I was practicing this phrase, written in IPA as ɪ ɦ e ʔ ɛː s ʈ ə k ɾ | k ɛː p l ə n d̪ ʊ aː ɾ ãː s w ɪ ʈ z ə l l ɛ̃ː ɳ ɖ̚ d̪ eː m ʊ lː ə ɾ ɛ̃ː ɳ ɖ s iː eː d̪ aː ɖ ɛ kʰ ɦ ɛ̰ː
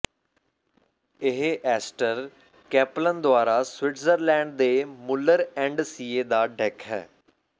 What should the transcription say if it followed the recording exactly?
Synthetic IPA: ɪ ɦ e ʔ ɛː s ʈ ə ɾ | k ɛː p l ə n d̪ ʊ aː ɾ aː s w ɪ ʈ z ə ɾ l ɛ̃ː ɳ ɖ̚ d̪ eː m ʊ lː ə ɾ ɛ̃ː ɳ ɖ s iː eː d̪ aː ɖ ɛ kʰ ɦ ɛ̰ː

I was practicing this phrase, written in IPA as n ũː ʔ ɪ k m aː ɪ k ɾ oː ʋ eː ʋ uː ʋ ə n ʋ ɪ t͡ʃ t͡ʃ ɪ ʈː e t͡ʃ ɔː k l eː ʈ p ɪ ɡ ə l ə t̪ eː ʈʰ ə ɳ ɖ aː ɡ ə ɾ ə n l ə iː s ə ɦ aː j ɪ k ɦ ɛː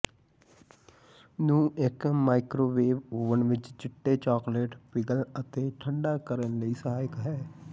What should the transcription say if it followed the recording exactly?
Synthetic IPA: n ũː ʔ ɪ k m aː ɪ k ɾ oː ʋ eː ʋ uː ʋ ə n ʋ ɪ t͡ʃ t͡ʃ ɪ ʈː e t͡ʃ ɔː k l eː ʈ p ɪ ɡ ə l ə t̪ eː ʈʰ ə ɳ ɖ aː k ə ɾ ə n l ə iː s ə ɦ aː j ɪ k ɦ ɛː

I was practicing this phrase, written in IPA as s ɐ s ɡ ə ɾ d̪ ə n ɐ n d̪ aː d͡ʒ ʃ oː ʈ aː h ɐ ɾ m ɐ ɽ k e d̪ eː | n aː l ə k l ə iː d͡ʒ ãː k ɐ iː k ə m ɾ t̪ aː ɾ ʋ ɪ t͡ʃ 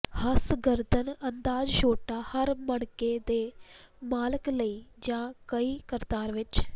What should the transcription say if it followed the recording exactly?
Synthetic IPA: h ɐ s ɡ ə ɾ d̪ ə n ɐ n d̪ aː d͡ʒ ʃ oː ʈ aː h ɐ ɾ m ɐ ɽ k e d̪ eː | m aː l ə k l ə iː d͡ʒ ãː k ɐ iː k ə ɾ t̪ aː ɾ ʋ ɪ t͡ʃ

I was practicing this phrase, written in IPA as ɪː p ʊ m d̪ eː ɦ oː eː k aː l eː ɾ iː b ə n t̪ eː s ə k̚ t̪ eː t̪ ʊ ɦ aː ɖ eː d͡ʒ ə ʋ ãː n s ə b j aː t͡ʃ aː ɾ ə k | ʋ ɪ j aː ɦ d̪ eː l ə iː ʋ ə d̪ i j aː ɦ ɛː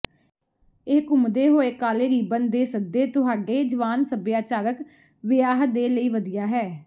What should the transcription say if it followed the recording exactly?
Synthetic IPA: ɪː k ʊ m d̪ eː ɦ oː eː k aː l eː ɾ iː b ə n d̪ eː s ə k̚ d̪ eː t̪ ʊ ɦ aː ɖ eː d͡ʒ ə ʋ aː n s ə b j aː t͡ʃ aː ɾ ə k | ʋ ɪ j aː ɦ d̪ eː l ə iː ʋ ə d̪ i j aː ɦ ɛː

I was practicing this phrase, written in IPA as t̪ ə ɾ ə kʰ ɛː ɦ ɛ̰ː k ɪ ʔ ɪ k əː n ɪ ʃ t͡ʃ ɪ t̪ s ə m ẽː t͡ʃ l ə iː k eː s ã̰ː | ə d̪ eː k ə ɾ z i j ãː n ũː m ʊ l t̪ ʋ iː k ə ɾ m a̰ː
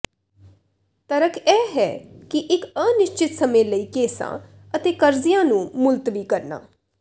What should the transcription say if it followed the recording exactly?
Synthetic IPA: t̪ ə ɾ ə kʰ ɛː ɦ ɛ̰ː k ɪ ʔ ɪ k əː n ɪ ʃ t͡ʃ ɪ t̪ s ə m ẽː l ə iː k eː s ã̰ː | ə t̪ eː k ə ɾ z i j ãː n ũː m ʊ l t̪ ʋ iː k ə ɾ n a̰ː

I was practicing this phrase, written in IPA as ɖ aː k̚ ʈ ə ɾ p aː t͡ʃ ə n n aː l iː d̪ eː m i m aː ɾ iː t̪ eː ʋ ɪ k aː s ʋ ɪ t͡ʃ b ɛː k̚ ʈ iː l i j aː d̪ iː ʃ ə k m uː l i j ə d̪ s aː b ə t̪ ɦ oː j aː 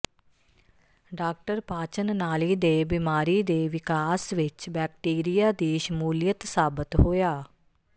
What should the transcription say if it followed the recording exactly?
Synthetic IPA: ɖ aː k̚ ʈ ə ɾ p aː t͡ʃ ə n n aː l iː d̪ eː b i m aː ɾ iː d̪ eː ʋ ɪ k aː s ʋ ɪ t͡ʃ b ɛː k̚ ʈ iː ɾ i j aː d̪ iː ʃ ə m uː l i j ə t̪ s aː b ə t̪ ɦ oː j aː

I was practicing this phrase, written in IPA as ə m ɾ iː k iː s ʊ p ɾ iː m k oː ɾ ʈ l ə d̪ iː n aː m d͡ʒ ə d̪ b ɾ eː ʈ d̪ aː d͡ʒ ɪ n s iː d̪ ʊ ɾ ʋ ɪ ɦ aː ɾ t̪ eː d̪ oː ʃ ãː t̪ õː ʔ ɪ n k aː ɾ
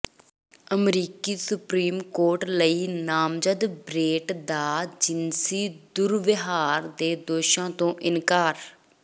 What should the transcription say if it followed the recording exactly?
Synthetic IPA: ə m ɾ iː k iː s ʊ p ɾ iː m k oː ɾ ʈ l ə iː n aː m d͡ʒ ə d̪ b ɾ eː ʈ d̪ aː d͡ʒ ɪ n s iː d̪ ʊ ɾ ʋ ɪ ɦ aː ɾ d̪ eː d̪ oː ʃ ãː t̪ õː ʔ ɪ n k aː ɾ

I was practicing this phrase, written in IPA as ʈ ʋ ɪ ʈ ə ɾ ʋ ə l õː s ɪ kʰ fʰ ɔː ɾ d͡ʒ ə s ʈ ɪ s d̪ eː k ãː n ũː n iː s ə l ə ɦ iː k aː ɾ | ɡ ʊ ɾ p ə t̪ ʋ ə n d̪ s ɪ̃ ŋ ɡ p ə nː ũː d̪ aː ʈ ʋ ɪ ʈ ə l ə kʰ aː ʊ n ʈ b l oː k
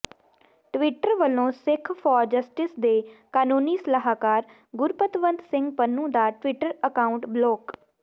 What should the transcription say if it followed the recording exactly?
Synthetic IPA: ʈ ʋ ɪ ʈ ə ɾ ʋ ə l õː s ɪ kʰ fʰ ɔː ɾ d͡ʒ ə s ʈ ɪ s d̪ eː k aː n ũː n iː s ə l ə ɦ aː k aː ɾ | ɡ ʊ ɾ p ə t̪ ʋ ə n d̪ s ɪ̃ ŋ ɡ p ə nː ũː d̪ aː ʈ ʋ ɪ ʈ ə ɾ ə k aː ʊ ɳ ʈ b l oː k

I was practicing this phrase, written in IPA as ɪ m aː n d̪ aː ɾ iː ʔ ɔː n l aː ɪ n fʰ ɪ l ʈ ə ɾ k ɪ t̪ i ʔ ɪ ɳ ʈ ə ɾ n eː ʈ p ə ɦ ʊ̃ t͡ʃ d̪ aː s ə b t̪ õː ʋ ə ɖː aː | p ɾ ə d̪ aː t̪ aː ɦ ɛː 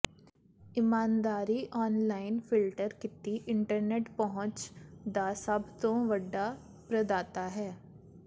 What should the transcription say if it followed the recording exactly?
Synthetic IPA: ɪ m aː n d̪ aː ɾ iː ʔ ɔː n l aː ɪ n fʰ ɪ l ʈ ə ɾ k ɪ t̪ i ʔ ɪ ɳ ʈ ə ɾ n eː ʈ p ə ɦ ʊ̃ t͡ʃ d̪ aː s ə b t̪ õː ʋ ə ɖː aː | p ɾ ə d̪ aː t̪ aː ɦ ɛː

